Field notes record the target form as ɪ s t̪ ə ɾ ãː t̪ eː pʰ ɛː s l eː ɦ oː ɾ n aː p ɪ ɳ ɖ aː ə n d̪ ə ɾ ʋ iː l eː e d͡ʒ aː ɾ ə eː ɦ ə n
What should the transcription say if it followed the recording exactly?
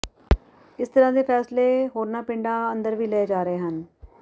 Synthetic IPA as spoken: ɪ s t̪ ə ɾ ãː d̪ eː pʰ ɛː s l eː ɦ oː ɾ n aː p ɪ ɳ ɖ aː ə n d̪ ə ɾ ʋ iː l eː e d͡ʒ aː ɾ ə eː ɦ ə n